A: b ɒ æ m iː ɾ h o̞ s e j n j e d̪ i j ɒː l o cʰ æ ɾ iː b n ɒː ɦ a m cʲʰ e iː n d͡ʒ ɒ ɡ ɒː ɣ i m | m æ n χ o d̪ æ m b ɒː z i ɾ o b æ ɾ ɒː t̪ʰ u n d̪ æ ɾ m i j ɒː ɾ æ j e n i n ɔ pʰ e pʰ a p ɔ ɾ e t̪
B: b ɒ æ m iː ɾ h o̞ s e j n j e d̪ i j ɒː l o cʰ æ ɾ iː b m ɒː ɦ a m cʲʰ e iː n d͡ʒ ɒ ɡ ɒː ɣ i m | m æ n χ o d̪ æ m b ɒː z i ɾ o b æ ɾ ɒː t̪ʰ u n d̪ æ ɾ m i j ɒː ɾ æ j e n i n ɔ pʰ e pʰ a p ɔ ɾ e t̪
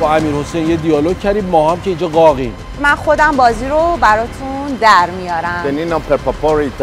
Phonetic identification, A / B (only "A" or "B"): B